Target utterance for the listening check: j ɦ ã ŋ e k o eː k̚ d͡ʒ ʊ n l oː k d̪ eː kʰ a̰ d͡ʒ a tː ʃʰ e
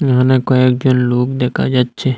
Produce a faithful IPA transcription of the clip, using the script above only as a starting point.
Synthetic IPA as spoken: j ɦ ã n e k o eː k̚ d͡ʒ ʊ n l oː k d̪ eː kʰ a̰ d͡ʒ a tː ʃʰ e